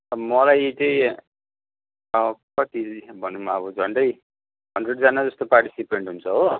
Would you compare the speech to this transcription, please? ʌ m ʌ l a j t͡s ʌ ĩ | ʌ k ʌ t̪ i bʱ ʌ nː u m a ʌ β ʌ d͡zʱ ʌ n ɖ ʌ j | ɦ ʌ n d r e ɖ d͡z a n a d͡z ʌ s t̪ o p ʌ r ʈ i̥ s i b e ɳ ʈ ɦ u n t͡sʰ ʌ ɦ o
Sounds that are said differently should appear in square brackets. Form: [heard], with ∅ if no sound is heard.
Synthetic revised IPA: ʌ m ʌ l a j t͡s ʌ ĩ | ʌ k ʌ t̪ i bʱ ʌ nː u m a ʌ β ʌ d͡zʱ ʌ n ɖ ʌ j | ɦ ʌ n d r e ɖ d͡z a n a d͡z ʌ s t̪ o p [a] r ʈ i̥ s i [p] e ɳ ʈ ɦ u n t͡sʰ ʌ ɦ o

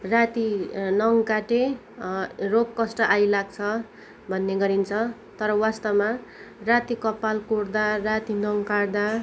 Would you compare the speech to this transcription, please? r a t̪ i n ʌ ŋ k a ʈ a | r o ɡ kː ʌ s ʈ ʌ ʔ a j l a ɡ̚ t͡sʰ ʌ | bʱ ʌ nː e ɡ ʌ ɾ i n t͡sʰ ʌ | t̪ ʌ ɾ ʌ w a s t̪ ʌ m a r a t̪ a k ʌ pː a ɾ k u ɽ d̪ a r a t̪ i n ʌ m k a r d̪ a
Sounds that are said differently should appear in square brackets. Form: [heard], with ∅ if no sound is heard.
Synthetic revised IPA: r a t̪ i n ʌ ŋ k a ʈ [e] | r o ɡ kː ʌ s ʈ ʌ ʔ a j l a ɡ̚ t͡sʰ ʌ | bʱ ʌ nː e ɡ ʌ ɾ i n t͡sʰ ʌ | t̪ ʌ ɾ ʌ w a s t̪ ʌ m a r a t̪ [i] k ʌ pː a [l] k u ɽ d̪ a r a t̪ i n ʌ [ŋ] k a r d̪ a

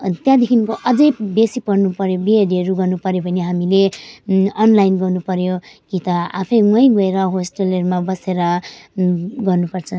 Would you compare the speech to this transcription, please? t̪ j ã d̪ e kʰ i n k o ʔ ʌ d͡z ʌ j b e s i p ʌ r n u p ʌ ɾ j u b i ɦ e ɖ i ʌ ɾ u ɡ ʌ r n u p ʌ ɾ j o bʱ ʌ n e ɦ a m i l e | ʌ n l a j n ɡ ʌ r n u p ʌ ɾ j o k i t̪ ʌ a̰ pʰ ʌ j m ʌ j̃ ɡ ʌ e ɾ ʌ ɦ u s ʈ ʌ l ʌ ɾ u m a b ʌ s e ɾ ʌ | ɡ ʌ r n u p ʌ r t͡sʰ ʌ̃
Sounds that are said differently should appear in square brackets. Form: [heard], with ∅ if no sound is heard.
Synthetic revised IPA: t̪ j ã d̪ e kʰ i n k o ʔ ʌ d͡z ʌ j b e s i p ʌ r n u p ʌ ɾ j [o] b i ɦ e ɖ i ʌ ɾ u ɡ ʌ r n u p ʌ ɾ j o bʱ ʌ n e ɦ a m i l e | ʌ n l a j n ɡ ʌ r n u p ʌ ɾ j o k i t̪ ʌ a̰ pʰ ʌ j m ʌ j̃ ɡ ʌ e ɾ ʌ ɦ [o] s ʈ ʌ l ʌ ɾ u m a b ʌ s e ɾ ʌ | ɡ ʌ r n u p ʌ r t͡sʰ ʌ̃

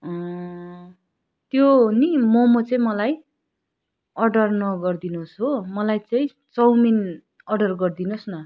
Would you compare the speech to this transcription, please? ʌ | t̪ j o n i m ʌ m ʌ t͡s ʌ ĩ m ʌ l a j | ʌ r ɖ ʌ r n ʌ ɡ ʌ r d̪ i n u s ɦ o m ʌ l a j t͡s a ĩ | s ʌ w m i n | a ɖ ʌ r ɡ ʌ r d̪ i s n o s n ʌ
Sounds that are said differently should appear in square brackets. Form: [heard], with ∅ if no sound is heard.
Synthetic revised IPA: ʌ | t̪ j o n i m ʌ m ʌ t͡s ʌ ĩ m ʌ l a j | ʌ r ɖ ʌ r n ʌ ɡ ʌ r d̪ i n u s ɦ o m ʌ l a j t͡s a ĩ | [t͡s] ʌ w m i n | [ʌ] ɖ ʌ r ɡ ʌ r d̪ i [∅] n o s n ʌ

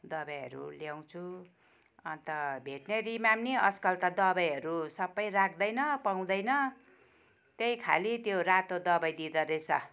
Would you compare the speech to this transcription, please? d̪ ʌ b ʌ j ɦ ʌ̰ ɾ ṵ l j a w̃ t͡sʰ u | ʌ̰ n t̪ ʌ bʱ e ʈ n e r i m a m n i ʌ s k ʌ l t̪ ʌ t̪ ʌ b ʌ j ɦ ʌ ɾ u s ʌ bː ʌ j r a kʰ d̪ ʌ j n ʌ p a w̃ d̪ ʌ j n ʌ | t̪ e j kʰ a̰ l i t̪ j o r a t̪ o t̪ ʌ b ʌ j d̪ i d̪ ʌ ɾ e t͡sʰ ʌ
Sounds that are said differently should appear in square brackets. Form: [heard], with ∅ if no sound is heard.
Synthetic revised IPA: d̪ ʌ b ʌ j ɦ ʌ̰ ɾ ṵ l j a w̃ t͡sʰ u | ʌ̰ n t̪ ʌ bʱ e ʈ n e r i m a m n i ʌ s k ʌ l t̪ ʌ [d̪] ʌ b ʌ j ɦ ʌ ɾ u s ʌ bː ʌ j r a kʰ d̪ ʌ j n ʌ p a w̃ d̪ ʌ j n ʌ | t̪ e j kʰ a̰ l i t̪ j o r a t̪ o [d̪] ʌ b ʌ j d̪ i d̪ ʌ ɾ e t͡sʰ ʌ

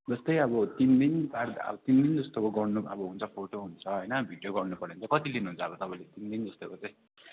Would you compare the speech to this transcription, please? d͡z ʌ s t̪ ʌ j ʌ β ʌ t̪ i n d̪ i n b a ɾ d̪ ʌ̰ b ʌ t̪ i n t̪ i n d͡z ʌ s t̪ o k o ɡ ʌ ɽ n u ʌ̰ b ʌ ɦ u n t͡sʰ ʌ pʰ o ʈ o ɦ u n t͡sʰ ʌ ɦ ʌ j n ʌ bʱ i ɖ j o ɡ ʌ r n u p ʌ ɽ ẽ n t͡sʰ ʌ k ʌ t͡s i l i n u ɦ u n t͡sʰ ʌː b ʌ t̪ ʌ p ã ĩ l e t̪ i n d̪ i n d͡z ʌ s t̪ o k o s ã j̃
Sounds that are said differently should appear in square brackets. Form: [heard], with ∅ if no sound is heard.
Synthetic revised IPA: d͡z ʌ s t̪ ʌ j ʌ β ʌ t̪ i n d̪ i n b a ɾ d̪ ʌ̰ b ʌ t̪ i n [d̪] i n d͡z ʌ s t̪ o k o ɡ ʌ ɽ n u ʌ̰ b ʌ ɦ u n t͡sʰ ʌ pʰ o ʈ o ɦ u n t͡sʰ ʌ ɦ ʌ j n ʌ bʱ i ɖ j o ɡ ʌ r n u p ʌ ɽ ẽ n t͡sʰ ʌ k ʌ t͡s i l i n u ɦ u n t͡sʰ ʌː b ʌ t̪ ʌ p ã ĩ l e t̪ i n d̪ i n d͡z ʌ s t̪ o k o [t͡s] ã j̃

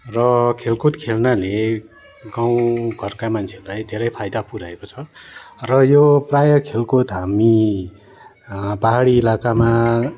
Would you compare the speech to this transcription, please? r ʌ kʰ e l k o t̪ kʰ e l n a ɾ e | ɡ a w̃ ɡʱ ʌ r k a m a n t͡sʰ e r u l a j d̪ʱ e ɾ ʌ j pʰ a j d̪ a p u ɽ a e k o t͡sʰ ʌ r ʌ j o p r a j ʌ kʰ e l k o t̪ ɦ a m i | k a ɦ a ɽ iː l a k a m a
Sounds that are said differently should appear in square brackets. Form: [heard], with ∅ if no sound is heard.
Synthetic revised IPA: r ʌ kʰ e l k o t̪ kʰ e l n a [l] e | ɡ a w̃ ɡʱ ʌ r k a m a n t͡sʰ e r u l a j d̪ʱ e ɾ ʌ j pʰ a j d̪ a p u [ɾ] a e k o t͡sʰ ʌ r ʌ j o p r a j ʌ kʰ e l k o t̪ ɦ a m i | [p] a ɦ a ɽ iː l a k a m a

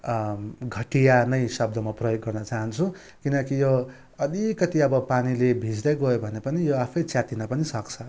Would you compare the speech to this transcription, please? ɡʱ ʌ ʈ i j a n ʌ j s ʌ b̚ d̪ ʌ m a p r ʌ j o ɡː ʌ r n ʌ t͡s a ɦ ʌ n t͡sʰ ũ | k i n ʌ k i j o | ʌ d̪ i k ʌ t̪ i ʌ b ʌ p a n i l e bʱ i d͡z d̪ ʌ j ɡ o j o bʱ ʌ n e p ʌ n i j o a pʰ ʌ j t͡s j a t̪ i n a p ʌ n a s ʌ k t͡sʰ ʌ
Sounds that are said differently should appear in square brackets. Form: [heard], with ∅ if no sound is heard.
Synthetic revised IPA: ɡʱ ʌ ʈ i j a n ʌ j s ʌ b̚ d̪ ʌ m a p r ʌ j o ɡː ʌ r n ʌ t͡s a ɦ ʌ n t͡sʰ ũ | k i n ʌ k i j o | ʌ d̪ i k ʌ t̪ i ʌ b ʌ p a n i l e bʱ i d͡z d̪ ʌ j ɡ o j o bʱ ʌ n e p ʌ n i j o a pʰ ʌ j t͡s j a t̪ i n a p ʌ n [i] s ʌ k t͡sʰ ʌ

